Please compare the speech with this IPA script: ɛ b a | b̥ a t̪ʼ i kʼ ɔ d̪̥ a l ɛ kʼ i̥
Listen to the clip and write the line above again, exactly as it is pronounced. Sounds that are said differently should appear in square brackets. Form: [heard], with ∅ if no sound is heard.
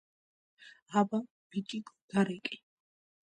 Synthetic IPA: [a] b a | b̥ [i] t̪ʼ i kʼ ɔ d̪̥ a [ɾ] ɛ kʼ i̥

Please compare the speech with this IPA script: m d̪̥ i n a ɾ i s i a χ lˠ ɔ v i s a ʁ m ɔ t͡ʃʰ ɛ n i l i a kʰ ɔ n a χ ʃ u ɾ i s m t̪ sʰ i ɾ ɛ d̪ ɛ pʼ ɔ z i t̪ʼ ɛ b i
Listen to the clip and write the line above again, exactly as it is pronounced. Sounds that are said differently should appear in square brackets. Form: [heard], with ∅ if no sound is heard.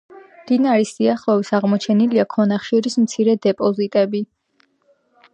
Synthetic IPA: m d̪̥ i n a ɾ i s i a χ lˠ ɔ v i s a ʁ m ɔ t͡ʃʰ ɛ n i l i a kʰ ɔ n a χ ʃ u ɾ i s m t̪ sʰ i ɾ ɛ d̪ ɛ pʼ ɔ z i t̪ʼ ɛ b i

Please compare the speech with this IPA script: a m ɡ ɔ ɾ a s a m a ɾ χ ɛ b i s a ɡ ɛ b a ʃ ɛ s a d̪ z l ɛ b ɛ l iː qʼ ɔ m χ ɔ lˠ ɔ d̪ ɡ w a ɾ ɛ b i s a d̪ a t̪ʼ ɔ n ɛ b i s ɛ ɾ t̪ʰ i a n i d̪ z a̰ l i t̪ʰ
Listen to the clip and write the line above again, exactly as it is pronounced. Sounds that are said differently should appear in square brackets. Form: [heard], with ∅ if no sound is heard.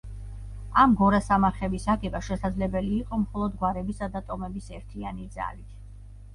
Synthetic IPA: a m ɡ ɔ ɾ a s a m a ɾ χ ɛ b i s a ɡ ɛ b a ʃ ɛ s a d̪ z l ɛ b ɛ l iː qʼ ɔ m χ ɔ lˠ ɔ d̪ ɡ w a ɾ ɛ b i s a d̪ a t̪ʼ ɔ [m] ɛ b i s ɛ ɾ t̪ʰ i a n i d̪ z a̰ l i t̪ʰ

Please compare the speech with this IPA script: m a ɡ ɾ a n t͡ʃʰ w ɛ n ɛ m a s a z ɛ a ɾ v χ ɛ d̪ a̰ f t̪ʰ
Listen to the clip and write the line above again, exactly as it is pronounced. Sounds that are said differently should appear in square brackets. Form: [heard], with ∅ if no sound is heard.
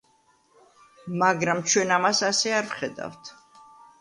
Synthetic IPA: m a ɡ ɾ a [m] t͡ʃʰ w ɛ n [a] m a s a [s] ɛ a ɾ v χ ɛ d̪ a̰ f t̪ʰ

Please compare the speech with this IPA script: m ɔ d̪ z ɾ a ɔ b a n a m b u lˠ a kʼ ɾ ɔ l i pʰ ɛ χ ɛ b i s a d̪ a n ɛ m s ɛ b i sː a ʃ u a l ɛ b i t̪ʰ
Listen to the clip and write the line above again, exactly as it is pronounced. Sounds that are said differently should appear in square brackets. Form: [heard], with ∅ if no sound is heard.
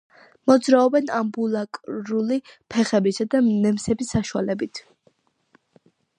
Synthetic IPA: m ɔ d̪ z ɾ a ɔ b [ɛ] n a m b u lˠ a kʼ ɾ [u] l i pʰ ɛ χ ɛ b i s a d̪ a n ɛ m s ɛ b i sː a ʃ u a l ɛ b i t̪ʰ

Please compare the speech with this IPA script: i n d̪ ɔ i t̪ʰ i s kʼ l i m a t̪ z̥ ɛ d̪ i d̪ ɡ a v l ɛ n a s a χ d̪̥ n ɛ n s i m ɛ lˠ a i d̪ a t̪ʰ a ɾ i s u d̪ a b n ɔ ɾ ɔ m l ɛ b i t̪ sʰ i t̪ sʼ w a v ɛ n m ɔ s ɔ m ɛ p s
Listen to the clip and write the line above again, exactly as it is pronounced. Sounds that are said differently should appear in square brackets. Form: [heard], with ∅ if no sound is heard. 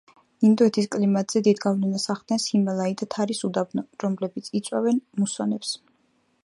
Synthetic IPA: i n d̪ ɔ [ɛ] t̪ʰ i s kʼ l i m a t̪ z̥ ɛ d̪ i d̪ ɡ a v l ɛ n a s a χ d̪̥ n ɛ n s i m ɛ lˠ a i d̪ a t̪ʰ a ɾ i s u d̪ a b n ɔ ɾ ɔ m l ɛ b i t̪ sʰ i t̪ sʼ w a v ɛ n m [u] s ɔ [n] ɛ p s

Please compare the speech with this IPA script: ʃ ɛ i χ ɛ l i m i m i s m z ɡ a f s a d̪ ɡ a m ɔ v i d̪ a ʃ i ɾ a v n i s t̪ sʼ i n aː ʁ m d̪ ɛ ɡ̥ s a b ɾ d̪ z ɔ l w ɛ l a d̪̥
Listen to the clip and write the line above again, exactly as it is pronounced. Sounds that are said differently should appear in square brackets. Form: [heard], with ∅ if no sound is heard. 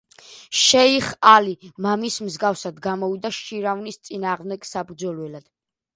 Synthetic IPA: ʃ ɛ i χ [a] l i m [a] m i s m z ɡ a f s a d̪ ɡ a m ɔ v i d̪ a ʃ i ɾ a v n i s t̪ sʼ i n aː ʁ m d̪ ɛ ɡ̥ s a b ɾ d̪ z ɔ l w ɛ l a d̪̥

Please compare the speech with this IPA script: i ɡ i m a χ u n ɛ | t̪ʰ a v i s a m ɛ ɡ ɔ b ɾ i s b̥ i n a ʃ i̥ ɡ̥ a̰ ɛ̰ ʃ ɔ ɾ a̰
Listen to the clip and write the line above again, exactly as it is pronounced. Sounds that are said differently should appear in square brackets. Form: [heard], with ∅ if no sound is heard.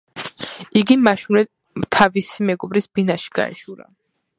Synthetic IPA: i ɡ i m a [ʃ] u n ɛ | t̪ʰ a v i s [i] m ɛ ɡ ɔ b ɾ i s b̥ i n a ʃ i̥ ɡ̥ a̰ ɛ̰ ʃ [u] ɾ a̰

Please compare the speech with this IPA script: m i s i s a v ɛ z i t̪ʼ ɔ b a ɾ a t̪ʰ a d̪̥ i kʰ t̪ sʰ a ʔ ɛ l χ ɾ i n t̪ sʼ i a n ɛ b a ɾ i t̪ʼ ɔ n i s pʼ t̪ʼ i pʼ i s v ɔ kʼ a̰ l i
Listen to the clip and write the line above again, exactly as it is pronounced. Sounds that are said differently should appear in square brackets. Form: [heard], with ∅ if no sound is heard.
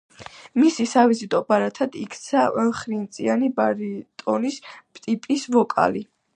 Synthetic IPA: m i s i s a v [i] z i t̪ʼ ɔ b a ɾ a t̪ʰ a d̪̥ i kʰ t̪ sʰ a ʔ ɛ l χ ɾ i n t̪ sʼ i a n [i] b a ɾ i t̪ʼ ɔ n i s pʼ t̪ʼ i pʼ i s v ɔ kʼ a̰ l i

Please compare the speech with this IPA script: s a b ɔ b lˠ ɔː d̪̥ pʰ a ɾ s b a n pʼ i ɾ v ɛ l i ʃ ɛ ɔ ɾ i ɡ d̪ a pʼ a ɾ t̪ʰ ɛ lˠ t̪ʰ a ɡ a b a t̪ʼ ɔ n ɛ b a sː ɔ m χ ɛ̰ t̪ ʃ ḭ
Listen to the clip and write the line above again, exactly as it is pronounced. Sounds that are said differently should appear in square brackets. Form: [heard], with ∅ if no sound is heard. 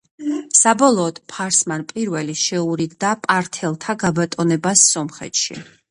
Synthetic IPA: s a b ɔ [∅] lˠ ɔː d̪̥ pʰ a ɾ s [m] a n pʼ i ɾ v ɛ l i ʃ ɛ [u] ɾ i ɡ d̪ a pʼ a ɾ t̪ʰ ɛ lˠ t̪ʰ a ɡ a b a t̪ʼ ɔ n ɛ b a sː ɔ m χ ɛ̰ t̪ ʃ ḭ

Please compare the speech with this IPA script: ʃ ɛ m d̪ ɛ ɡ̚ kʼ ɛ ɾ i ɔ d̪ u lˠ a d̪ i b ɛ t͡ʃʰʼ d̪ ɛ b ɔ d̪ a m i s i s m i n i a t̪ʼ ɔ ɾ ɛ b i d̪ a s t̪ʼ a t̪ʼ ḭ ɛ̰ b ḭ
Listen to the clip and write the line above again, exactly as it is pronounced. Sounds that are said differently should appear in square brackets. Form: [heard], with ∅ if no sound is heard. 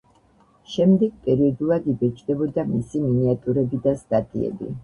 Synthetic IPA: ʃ ɛ m d̪ ɛ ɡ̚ [pʼ] ɛ ɾ i ɔ d̪ u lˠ a d̪ i b ɛ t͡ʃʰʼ d̪ ɛ b ɔ d̪ a m i s i [∅] m i n i a t̪ʼ [u] ɾ ɛ b i d̪ a s t̪ʼ a t̪ʼ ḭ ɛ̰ b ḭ

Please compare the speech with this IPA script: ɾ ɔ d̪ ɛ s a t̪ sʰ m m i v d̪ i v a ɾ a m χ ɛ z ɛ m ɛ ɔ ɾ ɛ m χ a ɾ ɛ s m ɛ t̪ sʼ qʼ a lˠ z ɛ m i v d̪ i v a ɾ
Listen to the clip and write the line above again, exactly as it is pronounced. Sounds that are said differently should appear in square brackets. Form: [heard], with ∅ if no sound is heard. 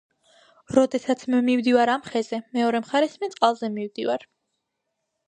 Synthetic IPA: ɾ ɔ d̪ ɛ s a t̪ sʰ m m i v d̪ i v a ɾ a m χ ɛ z ɛ m ɛ ɔ ɾ ɛ m χ a ɾ ɛ s m ɛ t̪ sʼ qʼ a lˠ z ɛ m i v d̪ i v a ɾ

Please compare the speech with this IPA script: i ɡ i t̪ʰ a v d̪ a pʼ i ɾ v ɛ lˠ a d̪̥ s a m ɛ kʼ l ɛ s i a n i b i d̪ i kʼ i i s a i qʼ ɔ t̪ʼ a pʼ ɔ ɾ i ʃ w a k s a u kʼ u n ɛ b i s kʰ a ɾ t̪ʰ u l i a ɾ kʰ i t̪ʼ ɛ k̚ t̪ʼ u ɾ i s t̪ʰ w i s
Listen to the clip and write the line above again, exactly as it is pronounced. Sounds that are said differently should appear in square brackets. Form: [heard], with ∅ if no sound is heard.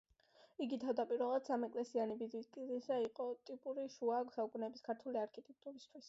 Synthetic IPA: i ɡ i t̪ʰ a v d̪ a pʼ i ɾ v ɛ lˠ a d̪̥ s a m ɛ kʼ l ɛ s i a n i b i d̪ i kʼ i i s a i qʼ ɔ t̪ʼ [i] pʼ [u] ɾ i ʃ [u] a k s a u kʼ u n ɛ b i s kʰ a ɾ t̪ʰ u l i a ɾ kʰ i t̪ʼ ɛ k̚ t̪ʼ u ɾ i s t̪ʰ w i s

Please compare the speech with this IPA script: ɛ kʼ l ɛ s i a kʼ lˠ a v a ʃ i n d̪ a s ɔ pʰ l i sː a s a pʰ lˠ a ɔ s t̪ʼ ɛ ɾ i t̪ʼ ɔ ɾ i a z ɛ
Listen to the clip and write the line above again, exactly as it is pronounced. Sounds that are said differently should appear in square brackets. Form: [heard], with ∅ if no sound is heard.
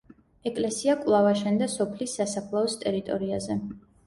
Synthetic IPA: ɛ kʼ l ɛ s i a kʼ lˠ a v a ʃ [ɛ] n d̪ a s ɔ pʰ l i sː a s a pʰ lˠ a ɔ s t̪ʼ ɛ ɾ i t̪ʼ ɔ ɾ i a z ɛ

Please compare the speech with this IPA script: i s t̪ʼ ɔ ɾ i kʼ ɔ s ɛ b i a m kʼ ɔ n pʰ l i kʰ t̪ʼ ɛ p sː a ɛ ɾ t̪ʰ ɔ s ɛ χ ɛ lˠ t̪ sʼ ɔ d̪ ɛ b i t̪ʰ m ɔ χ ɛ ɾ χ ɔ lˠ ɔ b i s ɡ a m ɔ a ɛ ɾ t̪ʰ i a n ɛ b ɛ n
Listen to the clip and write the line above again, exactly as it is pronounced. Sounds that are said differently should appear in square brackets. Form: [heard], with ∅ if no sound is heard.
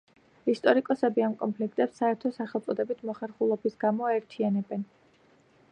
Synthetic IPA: i s t̪ʼ ɔ ɾ i kʼ ɔ s ɛ b i a m kʼ ɔ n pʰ l i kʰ t̪ʼ ɛ p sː a ɛ ɾ t̪ʰ ɔ s [a] χ ɛ lˠ t̪ sʼ ɔ d̪ ɛ b i t̪ʰ m ɔ χ ɛ ɾ χ [u] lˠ ɔ b i s ɡ a m ɔ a ɛ ɾ t̪ʰ i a n ɛ b ɛ n

